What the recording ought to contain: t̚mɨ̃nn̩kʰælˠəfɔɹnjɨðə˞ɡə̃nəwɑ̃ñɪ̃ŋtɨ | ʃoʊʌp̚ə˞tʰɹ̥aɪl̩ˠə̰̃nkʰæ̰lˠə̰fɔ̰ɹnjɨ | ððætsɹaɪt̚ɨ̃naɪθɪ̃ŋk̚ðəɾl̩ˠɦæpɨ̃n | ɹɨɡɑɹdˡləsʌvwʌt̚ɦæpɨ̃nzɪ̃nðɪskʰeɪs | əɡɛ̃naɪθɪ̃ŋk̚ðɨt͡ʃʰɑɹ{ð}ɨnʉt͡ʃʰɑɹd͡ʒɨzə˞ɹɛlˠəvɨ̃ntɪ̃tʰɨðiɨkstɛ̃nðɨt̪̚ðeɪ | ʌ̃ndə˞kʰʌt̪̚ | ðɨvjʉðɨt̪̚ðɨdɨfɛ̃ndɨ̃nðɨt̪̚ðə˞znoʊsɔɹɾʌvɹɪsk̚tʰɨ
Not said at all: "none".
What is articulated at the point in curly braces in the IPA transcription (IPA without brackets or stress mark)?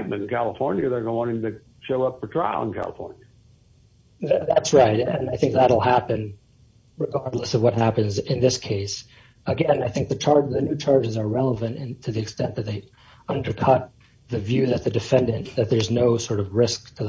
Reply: ð